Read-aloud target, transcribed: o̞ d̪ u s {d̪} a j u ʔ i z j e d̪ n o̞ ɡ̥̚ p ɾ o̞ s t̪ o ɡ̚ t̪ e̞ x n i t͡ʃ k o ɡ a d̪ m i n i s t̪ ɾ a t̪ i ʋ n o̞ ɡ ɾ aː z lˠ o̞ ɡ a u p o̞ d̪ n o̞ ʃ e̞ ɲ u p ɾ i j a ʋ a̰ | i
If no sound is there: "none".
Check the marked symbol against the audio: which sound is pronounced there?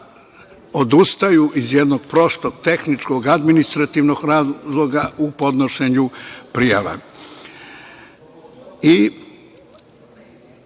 t̪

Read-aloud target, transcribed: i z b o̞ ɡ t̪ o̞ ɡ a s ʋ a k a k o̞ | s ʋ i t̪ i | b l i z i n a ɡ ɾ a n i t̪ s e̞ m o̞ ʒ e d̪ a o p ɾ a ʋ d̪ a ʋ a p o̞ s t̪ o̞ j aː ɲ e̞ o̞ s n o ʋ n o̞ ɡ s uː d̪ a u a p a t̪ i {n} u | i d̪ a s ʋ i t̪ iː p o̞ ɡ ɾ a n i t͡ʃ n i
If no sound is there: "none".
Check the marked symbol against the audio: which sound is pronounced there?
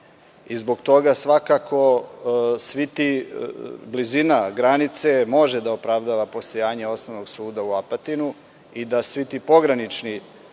n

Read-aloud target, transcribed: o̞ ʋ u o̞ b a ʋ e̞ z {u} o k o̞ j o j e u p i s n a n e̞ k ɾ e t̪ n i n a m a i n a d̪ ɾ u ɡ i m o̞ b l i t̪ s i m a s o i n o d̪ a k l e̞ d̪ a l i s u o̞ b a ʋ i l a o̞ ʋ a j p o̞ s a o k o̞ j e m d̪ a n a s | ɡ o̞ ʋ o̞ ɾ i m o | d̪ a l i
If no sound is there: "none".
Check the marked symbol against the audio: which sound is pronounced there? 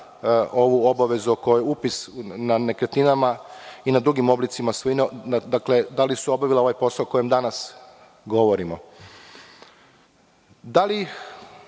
u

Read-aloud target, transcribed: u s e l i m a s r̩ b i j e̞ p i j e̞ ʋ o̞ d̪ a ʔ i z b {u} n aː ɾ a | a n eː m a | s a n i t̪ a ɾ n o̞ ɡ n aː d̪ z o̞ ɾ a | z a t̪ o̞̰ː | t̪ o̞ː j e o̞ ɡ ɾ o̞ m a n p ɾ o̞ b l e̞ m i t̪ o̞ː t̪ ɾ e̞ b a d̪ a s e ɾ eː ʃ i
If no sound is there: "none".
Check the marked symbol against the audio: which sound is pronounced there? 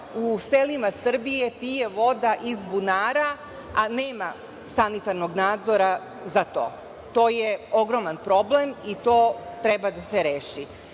u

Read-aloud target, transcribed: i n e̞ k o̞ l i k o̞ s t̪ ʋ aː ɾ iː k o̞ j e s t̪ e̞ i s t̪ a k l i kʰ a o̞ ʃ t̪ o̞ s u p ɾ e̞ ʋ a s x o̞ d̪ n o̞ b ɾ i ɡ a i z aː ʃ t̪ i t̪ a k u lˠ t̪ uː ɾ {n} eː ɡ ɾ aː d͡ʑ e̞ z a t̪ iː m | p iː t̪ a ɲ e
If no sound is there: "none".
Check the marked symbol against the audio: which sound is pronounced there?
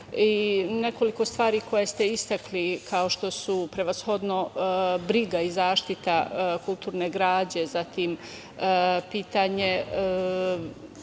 n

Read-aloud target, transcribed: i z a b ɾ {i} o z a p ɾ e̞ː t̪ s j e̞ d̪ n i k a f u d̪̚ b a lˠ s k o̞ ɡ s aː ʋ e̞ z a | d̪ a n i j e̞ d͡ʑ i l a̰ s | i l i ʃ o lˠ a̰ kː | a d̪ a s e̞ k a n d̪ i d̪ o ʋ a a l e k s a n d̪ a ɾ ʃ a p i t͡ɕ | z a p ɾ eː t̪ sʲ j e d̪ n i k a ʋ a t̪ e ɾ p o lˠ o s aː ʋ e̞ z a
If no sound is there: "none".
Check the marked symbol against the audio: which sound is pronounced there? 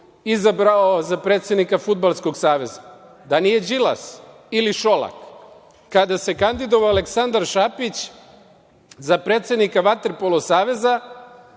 a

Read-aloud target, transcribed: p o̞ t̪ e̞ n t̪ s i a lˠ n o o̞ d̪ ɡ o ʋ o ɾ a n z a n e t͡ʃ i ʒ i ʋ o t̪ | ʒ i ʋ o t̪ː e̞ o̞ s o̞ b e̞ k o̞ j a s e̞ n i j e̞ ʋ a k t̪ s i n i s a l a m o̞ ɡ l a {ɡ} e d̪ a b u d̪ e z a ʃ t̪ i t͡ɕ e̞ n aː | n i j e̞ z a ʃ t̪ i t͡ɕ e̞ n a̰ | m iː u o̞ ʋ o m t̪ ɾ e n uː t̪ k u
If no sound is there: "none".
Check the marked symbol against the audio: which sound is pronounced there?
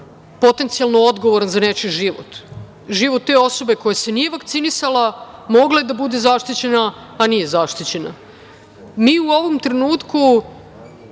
none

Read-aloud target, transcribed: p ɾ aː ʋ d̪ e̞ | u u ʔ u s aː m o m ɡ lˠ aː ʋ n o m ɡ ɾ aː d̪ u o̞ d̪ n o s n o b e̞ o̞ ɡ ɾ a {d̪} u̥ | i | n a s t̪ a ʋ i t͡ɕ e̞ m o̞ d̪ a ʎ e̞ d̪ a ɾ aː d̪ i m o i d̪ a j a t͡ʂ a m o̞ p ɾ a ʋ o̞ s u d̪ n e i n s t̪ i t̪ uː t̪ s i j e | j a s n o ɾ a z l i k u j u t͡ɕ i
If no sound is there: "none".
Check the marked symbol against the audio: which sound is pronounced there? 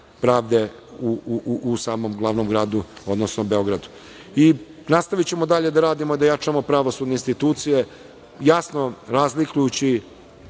d̪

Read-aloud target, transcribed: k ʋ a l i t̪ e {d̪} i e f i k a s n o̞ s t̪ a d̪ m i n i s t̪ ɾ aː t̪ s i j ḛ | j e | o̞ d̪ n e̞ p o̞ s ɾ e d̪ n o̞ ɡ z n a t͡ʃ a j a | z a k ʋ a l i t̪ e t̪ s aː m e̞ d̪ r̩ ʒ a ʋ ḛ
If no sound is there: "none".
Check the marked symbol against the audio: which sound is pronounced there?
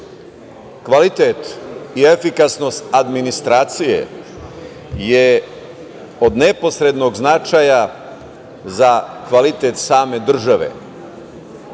t̪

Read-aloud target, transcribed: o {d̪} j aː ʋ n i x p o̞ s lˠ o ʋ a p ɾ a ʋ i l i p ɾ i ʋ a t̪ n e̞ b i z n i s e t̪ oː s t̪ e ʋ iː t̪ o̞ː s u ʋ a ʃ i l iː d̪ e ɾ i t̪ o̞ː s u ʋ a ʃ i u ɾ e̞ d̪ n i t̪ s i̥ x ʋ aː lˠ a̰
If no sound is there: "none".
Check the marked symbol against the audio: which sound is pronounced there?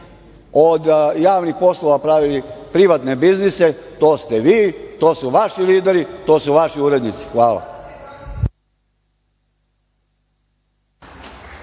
d̪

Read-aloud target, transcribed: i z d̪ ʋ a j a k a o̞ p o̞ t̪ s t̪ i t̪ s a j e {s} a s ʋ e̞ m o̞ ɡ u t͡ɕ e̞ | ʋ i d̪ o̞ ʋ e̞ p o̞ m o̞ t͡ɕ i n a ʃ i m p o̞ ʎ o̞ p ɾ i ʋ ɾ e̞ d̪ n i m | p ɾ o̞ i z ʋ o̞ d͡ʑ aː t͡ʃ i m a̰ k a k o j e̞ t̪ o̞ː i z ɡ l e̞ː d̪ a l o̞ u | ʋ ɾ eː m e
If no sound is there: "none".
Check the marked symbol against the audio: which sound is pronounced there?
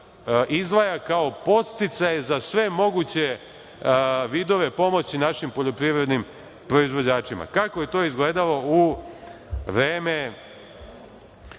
z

